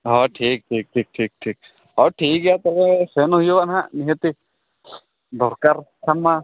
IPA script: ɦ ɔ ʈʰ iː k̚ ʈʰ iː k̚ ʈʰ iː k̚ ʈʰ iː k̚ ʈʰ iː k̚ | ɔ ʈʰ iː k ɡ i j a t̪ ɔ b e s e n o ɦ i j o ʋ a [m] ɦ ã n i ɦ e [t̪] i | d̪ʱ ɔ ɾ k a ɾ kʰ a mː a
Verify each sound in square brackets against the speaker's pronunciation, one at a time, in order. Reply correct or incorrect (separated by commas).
incorrect, correct